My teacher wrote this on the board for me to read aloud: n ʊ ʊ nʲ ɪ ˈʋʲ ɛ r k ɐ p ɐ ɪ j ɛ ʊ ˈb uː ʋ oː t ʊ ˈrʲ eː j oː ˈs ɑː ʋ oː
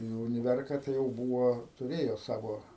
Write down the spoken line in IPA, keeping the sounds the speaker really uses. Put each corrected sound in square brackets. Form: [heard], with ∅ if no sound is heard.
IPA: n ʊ ʊ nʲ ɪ ˈʋʲ ɛ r k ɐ [t] ɐ ɪ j ɛ ʊ ˈb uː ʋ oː t ʊ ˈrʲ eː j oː ˈs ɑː ʋ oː